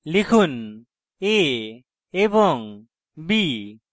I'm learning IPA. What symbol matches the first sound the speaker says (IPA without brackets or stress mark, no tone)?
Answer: l